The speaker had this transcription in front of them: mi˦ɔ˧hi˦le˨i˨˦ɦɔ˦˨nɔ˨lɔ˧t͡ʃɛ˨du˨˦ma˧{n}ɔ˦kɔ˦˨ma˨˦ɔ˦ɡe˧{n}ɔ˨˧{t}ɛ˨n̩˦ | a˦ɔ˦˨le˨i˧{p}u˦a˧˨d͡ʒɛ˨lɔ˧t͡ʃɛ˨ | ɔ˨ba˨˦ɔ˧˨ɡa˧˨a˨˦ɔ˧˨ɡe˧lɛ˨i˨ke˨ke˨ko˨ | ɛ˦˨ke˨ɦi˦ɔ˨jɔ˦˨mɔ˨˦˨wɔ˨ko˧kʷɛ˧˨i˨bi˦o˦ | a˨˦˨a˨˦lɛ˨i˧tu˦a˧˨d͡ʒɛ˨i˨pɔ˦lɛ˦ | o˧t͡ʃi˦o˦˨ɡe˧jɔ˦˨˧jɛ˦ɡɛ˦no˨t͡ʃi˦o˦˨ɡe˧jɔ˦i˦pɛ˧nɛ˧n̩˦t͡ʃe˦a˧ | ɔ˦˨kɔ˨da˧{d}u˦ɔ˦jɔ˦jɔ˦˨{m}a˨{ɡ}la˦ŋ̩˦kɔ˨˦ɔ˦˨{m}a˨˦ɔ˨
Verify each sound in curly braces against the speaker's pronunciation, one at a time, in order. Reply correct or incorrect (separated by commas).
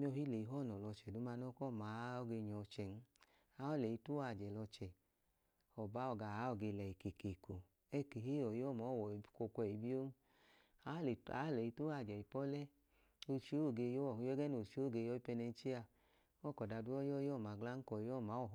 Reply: correct, incorrect, incorrect, incorrect, correct, correct, correct, correct